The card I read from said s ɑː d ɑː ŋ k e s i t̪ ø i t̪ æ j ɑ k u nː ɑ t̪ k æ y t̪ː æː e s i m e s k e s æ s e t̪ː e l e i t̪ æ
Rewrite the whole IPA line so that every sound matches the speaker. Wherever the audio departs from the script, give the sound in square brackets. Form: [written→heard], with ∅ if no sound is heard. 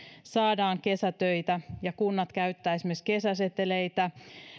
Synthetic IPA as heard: s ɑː d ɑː ŋ k e s [i→æ] t̪ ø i t̪ æ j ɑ k u nː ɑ t̪ k æ y t̪ː æː e s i m e s k e s æ s e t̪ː e l e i t̪ æ

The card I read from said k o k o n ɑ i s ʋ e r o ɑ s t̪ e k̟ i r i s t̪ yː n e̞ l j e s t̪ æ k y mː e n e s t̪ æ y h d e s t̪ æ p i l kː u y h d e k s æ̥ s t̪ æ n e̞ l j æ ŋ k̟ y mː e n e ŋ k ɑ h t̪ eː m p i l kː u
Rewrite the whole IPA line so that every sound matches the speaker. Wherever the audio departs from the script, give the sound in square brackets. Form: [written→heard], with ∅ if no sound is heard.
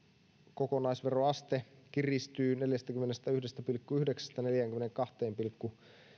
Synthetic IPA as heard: k o k o n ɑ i s ʋ e r o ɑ s t̪ e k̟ i r i s t̪ yː n e̞ l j [e→æ] s t̪ æ k y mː e n e s t̪ æ y h d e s t̪ æ p i l kː u y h d e k s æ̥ s t̪ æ n e̞ l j æ ŋ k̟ y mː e n e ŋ k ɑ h t̪ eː m p i l kː u

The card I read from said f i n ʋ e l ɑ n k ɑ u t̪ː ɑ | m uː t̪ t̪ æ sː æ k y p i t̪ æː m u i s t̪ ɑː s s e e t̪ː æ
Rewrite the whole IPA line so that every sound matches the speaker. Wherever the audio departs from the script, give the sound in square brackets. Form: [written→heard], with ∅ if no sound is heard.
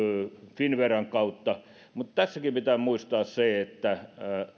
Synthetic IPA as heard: f i n ʋ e [l→r] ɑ [n→ŋ] k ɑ u t̪ː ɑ | m [uː→u] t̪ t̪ æ sː æ k [y→i] p i t̪ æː m u i s t̪ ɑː s s e e t̪ː æ

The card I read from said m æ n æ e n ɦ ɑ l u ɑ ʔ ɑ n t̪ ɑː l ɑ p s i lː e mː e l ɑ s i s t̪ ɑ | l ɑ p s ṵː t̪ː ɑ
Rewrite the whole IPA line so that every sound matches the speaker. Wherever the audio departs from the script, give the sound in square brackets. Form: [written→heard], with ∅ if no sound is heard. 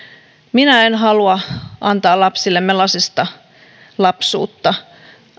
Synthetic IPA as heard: m [æ→i] n æ e n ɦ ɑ l u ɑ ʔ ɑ n t̪ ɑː l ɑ p s i lː e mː e l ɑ s i s t̪ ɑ | l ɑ p s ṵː t̪ː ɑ

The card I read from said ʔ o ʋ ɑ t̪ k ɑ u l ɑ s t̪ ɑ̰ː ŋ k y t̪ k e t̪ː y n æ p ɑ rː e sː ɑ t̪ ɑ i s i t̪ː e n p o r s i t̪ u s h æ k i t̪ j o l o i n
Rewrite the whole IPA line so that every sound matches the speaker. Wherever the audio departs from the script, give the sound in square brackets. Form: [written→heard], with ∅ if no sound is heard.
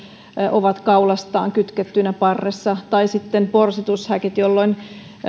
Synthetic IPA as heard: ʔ o ʋ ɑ t̪ k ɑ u l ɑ s t̪ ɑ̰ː ŋ k y t̪ k e t̪ː y n æ p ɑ rː e sː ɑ t̪ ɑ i s i t̪ː e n p o r s i t̪ u s h æ k i t̪ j o [l→lː] o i n

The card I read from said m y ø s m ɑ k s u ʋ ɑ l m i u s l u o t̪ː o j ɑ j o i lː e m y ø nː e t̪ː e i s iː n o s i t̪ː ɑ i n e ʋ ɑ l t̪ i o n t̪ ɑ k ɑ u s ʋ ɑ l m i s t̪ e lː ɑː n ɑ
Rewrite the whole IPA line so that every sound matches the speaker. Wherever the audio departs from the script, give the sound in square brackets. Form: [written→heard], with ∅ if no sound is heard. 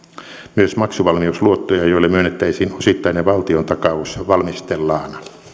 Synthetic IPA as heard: m y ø s m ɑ k s u ʋ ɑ l m i u s l u o t̪ː o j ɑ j o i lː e m y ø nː e t̪ː [e→æ] i s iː n o s i t̪ː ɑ i n e ʋ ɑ l t̪ i o n t̪ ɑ k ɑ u s ʋ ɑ l m i s t̪ e lː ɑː n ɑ

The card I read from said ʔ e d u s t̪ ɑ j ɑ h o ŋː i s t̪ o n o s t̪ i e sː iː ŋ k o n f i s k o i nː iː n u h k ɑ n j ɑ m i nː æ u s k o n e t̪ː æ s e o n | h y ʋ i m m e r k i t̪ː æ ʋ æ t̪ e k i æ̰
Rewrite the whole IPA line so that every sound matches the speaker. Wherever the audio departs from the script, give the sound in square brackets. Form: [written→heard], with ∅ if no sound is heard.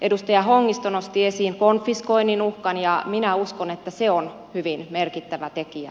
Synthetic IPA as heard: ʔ e d u s t̪ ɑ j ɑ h o ŋː i s t̪ o n o s t̪ i e [sː→s] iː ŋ k o n f i s k o i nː [iː→i] n u h k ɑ n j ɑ m i [nː→n] æ u s k o n e t̪ː æ s e o n | h y ʋ i [m→n] m e r k i t̪ː æ ʋ æ t̪ e k i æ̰

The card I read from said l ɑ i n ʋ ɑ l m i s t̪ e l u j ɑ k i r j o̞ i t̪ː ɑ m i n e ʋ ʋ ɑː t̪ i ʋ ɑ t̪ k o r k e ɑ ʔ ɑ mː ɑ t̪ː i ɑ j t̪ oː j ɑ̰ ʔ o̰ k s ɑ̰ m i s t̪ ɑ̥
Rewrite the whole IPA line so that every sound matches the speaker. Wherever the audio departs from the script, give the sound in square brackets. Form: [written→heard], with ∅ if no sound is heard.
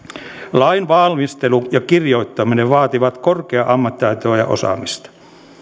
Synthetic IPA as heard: l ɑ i n ʋ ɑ l m i s t̪ e l u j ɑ k i r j o̞ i t̪ː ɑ m i n e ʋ ʋ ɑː t̪ i ʋ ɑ t̪ k o r k e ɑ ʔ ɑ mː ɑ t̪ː i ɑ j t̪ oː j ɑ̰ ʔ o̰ [k→∅] s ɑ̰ m i s t̪ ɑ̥

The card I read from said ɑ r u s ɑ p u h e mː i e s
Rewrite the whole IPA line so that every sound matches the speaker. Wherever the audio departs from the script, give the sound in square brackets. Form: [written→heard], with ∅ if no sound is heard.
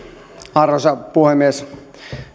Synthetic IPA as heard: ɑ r [u→o] s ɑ p u h e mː i e s

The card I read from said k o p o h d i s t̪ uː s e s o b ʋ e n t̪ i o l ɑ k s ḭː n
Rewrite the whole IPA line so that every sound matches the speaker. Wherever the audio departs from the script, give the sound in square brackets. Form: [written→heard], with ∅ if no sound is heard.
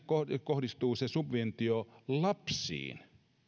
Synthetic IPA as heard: k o [p→k] o h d i s t̪ uː s e s [o→u] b ʋ e n t̪ i o l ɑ [k→p] s ḭː n

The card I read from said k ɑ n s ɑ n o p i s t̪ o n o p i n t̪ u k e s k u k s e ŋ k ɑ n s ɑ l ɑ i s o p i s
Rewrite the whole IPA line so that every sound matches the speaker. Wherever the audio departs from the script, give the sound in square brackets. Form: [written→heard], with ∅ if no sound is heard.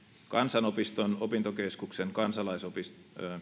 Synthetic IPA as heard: k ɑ n s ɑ n o p i s t̪ o n o p i n t̪ [u→o] k e s k u k s e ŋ k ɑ n s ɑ l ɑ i s o p i s

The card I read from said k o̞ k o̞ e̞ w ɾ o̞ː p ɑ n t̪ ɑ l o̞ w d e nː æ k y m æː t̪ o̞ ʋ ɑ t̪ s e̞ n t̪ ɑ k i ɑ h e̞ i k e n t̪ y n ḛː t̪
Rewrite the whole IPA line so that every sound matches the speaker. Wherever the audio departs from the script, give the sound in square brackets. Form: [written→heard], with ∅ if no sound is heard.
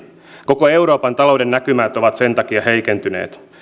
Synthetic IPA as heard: k o̞ k o̞ e̞ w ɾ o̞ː p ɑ n t̪ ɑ l o̞ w d e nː æ k y m æː t̪ o̞ ʋ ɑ t̪ s e̞ n t̪ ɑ k i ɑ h e̞ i k e n t̪ y n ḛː t̪

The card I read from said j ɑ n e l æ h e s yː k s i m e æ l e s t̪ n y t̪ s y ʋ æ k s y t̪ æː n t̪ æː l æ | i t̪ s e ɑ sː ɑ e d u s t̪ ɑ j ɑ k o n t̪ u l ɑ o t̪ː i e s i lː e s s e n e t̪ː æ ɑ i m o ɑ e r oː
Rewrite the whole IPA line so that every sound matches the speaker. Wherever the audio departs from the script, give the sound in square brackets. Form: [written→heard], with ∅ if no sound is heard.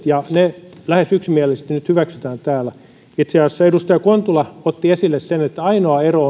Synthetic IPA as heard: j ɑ n e l æ h e s [yː→y] k s i m [e→i] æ l e s t̪ n y t̪ [s→h] y ʋ æ k s y t̪ æː n t̪ æː l æ | i t̪ s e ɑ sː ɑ e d u s t̪ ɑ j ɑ k o n t̪ u l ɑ o t̪ː i e s i lː e s s e n e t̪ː æ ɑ i [m→n] o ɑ e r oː

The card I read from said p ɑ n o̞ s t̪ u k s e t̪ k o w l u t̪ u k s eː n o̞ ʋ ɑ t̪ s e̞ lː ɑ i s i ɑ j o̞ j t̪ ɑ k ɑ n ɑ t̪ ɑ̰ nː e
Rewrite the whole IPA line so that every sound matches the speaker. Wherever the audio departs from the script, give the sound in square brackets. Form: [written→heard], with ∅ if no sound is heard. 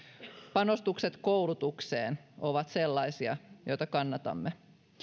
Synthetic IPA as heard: p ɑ n o̞ s t̪ u k s e t̪ k o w l u t̪ u k s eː n o̞ ʋ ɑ t̪ s e̞ lː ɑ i s i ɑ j o̞ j t̪ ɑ k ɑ [n→nː] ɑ t̪ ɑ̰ [nː→mː] e

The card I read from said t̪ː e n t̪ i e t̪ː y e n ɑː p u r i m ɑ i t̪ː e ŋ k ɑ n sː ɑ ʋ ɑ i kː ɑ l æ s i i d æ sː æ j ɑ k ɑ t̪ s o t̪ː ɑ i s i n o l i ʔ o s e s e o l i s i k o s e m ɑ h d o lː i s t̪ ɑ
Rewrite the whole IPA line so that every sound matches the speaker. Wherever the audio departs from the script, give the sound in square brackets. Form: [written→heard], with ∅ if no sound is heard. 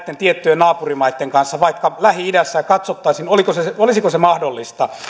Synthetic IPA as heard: t̪ː e n t̪ i e t̪ː y e n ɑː p u r i m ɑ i t̪ː e ŋ k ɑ n sː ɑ ʋ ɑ i kː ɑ l æ [s→h] i i d æ sː æ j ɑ k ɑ t̪ s o t̪ː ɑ i s i n o l i [ʔ→k] o s e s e o l i s i k o s e m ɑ h d o lː i s t̪ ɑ

